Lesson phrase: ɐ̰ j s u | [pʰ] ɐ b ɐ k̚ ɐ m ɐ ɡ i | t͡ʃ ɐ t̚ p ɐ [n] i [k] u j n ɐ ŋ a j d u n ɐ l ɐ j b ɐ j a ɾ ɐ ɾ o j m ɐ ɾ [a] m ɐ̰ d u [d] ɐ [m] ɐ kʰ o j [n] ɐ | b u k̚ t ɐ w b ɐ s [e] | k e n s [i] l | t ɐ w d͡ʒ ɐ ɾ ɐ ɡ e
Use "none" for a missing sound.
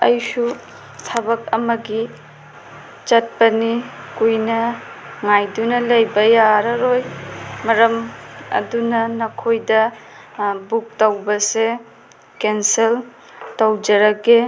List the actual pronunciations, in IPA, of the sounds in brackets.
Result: tʰ, n, k, ɐ, n, n, d, e, e

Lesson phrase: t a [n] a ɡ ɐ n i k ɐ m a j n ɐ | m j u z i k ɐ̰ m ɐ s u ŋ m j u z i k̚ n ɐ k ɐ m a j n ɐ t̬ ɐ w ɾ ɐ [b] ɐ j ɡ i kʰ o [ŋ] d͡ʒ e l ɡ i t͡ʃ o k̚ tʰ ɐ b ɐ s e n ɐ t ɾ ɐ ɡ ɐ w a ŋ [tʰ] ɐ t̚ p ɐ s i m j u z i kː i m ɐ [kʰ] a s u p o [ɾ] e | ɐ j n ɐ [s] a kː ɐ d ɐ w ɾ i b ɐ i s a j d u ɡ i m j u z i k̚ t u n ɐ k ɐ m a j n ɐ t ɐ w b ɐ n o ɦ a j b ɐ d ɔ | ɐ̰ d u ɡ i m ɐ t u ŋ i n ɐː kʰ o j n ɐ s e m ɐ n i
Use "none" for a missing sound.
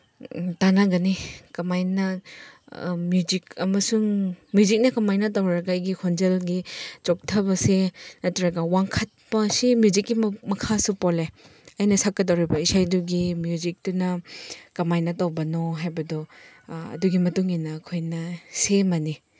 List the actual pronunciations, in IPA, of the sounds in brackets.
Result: n, ɡ, n, kʰ, kʰ, l, s

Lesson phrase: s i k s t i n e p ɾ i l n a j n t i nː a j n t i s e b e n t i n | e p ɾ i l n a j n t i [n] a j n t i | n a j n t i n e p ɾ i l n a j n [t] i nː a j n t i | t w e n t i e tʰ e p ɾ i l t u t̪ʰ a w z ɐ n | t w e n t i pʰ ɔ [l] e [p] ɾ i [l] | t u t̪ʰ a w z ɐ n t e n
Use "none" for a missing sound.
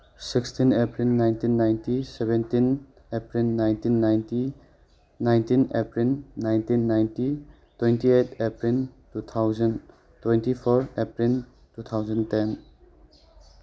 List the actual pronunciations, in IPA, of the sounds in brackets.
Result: nː, t, ɾ, p, l

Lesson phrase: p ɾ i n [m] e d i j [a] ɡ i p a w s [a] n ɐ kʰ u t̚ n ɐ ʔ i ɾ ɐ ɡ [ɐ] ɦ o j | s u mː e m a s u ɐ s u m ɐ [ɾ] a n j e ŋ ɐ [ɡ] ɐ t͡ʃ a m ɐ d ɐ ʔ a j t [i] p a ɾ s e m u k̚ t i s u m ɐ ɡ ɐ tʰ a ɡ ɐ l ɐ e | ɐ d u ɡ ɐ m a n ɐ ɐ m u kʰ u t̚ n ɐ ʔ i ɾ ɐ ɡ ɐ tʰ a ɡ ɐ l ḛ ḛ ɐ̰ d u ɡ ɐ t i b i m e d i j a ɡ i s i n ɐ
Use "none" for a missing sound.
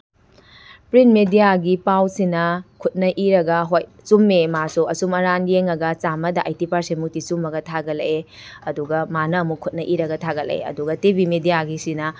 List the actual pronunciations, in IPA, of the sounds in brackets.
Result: m, a, i, ɐ, ɾ, ɡ, i

